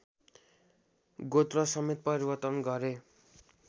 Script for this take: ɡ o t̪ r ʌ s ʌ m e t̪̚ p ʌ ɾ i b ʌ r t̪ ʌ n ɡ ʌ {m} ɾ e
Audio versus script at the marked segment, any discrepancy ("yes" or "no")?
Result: yes